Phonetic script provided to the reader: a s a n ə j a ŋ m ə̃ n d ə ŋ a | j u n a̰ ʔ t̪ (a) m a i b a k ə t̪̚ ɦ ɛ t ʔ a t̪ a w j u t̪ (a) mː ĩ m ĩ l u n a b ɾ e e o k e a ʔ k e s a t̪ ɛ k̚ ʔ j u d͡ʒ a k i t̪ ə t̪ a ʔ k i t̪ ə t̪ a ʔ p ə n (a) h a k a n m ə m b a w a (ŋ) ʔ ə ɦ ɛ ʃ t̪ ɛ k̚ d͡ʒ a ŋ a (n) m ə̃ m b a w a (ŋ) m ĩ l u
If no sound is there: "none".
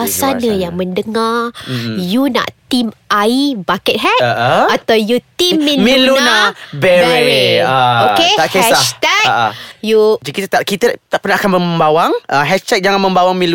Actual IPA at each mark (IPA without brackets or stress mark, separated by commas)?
i, i, a, ŋ, n, ŋ